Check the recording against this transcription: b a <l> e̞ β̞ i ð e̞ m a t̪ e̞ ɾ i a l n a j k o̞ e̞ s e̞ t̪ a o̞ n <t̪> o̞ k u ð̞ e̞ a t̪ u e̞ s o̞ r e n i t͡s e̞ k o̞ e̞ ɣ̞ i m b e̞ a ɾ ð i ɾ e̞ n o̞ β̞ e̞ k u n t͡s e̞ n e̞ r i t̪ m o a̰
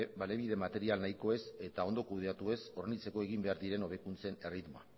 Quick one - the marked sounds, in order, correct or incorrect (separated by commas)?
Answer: correct, incorrect